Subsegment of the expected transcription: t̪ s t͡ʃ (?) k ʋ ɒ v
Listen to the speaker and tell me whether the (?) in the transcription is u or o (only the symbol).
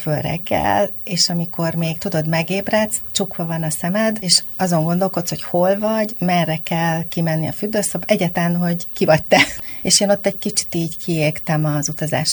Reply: u